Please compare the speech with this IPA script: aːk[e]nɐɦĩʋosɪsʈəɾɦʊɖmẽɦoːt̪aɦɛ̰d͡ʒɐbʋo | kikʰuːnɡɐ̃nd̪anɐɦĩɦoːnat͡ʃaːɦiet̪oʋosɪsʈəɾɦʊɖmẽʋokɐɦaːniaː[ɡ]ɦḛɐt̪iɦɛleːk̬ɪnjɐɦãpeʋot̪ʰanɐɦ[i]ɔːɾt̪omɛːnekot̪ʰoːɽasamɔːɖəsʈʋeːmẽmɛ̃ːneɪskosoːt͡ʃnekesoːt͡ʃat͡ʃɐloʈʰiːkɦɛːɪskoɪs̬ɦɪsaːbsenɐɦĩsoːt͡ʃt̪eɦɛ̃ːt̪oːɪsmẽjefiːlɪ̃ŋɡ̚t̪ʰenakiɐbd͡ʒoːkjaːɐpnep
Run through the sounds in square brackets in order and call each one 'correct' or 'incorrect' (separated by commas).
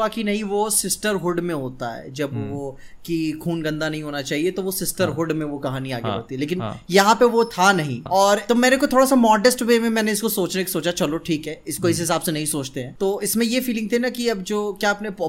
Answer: incorrect, correct, incorrect